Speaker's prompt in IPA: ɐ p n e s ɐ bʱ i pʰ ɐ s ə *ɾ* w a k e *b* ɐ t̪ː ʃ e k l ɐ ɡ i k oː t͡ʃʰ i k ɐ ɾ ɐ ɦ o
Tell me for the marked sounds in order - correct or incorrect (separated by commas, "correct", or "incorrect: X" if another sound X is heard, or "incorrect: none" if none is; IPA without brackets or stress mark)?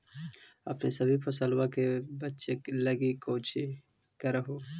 incorrect: l, correct